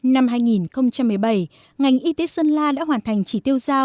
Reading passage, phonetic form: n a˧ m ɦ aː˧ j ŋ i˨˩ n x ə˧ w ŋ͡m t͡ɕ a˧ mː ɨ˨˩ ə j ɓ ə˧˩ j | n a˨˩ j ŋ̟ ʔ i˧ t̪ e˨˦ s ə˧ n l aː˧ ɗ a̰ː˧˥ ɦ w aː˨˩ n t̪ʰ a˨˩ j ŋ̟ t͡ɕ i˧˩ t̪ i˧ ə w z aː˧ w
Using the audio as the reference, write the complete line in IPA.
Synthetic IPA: n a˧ m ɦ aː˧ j ŋ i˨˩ n x ə˧ w ŋ͡m t͡ɕ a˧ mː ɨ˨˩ ə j ɓ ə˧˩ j | ŋ a˨˩ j ŋ̟ ʔ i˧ t̪ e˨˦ s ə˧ n l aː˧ ɗ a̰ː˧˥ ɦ w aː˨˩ n t̪ʰ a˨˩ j ŋ̟ t͡ɕ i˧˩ t̪ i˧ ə w z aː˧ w